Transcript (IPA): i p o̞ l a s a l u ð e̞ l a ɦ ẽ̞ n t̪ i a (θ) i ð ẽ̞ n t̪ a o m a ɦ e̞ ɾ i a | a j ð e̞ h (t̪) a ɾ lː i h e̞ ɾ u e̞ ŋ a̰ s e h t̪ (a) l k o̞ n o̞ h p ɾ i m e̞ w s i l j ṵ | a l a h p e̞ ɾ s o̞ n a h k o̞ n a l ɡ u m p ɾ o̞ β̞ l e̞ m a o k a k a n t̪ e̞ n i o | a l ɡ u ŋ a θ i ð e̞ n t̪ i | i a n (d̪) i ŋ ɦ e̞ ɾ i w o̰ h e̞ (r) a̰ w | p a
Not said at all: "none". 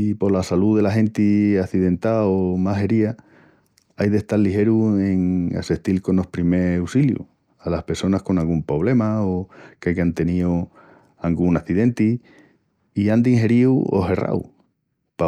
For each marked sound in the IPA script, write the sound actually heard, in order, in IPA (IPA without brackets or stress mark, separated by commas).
θ, t̪, i, d̪, r